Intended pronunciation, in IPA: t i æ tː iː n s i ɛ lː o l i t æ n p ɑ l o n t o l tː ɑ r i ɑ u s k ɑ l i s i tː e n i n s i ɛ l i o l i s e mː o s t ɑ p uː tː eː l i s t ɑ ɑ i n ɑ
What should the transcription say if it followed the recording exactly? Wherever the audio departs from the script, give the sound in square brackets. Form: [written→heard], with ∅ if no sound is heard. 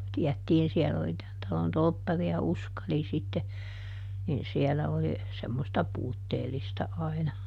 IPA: t i æ tː iː n s i ɛ lː o l i t æ n [p→t] ɑ l o n t o l [tː→pː] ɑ r i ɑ u s k ɑ l i s i tː e n i n s i ɛ l [i→æ] o l i s e mː o s t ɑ p uː tː eː l i s t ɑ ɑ i n ɑ